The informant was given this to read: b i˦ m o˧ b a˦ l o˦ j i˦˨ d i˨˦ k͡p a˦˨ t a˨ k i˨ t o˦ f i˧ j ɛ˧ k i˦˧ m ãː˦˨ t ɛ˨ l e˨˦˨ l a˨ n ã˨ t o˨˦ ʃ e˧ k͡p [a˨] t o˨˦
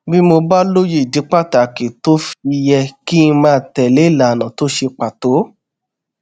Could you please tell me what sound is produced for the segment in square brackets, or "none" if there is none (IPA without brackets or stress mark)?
a˨